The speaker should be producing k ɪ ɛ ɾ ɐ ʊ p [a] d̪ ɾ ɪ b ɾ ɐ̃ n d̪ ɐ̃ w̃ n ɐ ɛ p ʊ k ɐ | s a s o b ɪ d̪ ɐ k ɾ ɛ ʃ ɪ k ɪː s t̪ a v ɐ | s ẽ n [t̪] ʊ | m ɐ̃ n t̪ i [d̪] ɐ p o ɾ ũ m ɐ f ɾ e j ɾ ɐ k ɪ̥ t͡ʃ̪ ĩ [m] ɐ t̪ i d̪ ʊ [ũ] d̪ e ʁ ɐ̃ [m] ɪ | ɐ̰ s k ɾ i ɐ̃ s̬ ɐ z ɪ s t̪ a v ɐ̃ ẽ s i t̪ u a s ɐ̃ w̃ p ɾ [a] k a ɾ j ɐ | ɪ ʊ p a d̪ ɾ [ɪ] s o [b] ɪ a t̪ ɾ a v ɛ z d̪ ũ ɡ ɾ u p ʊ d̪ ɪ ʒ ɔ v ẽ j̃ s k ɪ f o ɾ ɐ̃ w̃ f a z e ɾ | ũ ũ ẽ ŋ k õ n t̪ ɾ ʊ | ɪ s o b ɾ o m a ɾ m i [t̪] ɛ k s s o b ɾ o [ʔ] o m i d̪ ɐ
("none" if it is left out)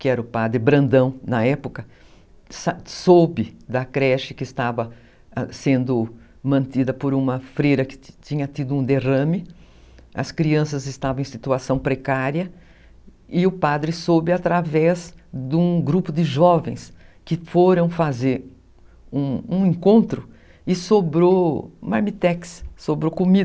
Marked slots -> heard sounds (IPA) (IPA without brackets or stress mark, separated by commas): a, d̪, d̪, ɲ, ũ, m, e, ɪ, b, t̪, k